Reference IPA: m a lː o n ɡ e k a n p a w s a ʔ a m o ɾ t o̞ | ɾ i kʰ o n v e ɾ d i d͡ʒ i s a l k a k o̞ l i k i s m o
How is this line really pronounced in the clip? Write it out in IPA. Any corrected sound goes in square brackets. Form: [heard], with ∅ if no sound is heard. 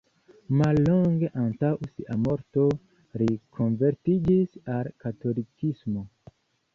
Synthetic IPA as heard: m a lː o [ŋ] ɡ e [ʔ] a n [t] a w s [i] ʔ a m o ɾ t o̞ | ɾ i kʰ o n v e ɾ [t] i d͡ʒ i s a l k a [t] o̞ l i k i s m o